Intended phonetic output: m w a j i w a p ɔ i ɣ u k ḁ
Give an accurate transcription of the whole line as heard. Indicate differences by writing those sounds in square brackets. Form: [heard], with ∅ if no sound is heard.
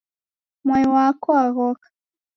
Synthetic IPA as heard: m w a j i w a [k] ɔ [a] ɣ [ɔ] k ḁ